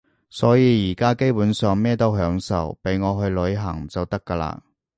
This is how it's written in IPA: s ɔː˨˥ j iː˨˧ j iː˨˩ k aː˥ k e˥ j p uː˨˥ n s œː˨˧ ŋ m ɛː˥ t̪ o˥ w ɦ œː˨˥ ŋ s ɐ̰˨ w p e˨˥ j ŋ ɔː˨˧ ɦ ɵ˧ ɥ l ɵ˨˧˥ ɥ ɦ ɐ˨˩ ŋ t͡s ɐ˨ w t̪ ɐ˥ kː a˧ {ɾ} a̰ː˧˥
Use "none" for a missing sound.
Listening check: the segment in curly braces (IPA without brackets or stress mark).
l